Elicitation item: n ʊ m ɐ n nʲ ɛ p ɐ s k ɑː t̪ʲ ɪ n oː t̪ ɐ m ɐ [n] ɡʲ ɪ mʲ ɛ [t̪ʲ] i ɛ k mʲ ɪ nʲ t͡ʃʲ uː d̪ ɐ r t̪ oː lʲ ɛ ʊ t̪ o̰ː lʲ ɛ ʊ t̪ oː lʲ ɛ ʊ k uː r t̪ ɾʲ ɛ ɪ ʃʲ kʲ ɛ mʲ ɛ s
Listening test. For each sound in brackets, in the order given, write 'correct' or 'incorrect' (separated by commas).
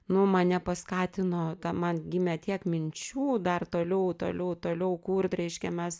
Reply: correct, correct